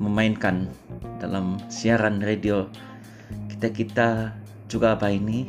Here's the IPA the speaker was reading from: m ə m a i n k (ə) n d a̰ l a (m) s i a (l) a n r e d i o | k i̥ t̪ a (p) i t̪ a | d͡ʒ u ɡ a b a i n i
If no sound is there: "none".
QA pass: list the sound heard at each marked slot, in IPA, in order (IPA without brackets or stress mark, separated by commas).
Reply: a, m, ɾ, k